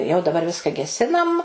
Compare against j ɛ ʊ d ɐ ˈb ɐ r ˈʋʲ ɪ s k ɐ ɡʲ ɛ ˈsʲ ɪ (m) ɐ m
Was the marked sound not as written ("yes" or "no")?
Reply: yes